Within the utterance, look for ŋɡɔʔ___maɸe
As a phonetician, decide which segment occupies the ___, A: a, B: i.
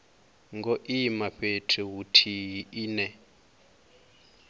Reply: B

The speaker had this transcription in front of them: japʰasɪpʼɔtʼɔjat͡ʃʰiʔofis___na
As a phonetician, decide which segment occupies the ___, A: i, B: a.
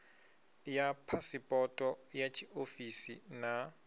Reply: A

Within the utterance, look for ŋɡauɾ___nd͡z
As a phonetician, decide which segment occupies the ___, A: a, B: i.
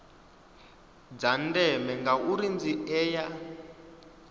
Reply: B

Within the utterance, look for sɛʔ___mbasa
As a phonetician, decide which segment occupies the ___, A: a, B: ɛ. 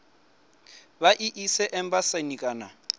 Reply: B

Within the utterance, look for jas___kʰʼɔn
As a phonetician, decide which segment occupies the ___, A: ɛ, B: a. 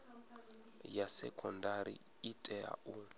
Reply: A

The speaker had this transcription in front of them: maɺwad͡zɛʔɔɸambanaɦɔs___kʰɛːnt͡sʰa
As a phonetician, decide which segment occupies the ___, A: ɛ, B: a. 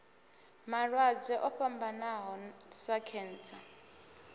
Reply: B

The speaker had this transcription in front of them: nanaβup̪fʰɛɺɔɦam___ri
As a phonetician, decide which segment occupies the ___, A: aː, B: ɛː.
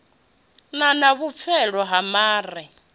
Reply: A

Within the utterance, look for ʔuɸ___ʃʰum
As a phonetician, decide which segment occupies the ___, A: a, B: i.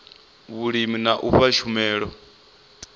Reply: A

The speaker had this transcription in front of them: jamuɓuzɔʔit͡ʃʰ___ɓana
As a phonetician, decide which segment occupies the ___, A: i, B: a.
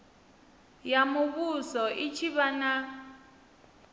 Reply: A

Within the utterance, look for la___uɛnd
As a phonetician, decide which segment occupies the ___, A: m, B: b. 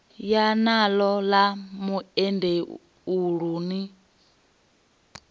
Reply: A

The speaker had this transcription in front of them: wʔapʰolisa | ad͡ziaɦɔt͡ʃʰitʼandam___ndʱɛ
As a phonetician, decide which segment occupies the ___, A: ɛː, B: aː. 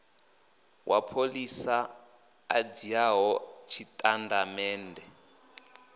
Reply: A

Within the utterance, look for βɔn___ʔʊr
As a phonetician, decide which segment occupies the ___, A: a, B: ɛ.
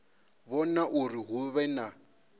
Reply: A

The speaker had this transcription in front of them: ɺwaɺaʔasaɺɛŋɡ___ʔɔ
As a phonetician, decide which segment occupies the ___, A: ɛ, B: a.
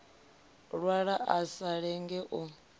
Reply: A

